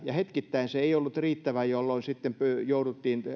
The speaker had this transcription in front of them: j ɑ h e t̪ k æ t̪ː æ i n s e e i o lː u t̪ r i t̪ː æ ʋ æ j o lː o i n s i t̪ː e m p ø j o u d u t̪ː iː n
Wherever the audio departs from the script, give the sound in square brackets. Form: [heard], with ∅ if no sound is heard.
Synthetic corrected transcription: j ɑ h e t̪ k [i] t̪ː æ i n s e e i o lː u t̪ r [iː] t̪ː æ ʋ æ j o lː o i n s i t̪ː e m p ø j o u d u t̪ː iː n